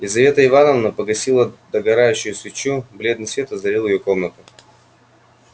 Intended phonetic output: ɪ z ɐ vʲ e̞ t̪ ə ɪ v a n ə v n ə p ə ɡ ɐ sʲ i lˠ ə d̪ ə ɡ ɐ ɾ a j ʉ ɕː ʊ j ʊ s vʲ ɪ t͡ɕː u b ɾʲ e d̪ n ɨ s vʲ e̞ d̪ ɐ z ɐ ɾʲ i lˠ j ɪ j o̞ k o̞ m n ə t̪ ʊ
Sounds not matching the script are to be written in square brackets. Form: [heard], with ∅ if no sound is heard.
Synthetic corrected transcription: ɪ z ɐ vʲ e̞ t̪ ə ɪ v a n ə v n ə p ə ɡ ɐ sʲ i lˠ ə d̪ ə ɡ ɐ ɾ a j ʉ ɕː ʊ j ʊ s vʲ ɪ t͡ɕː u b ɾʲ e d̪ n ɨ s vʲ e̞ [t̪] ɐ z ɐ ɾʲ i lˠ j ɪ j o̞ k o̞ m n ə t̪ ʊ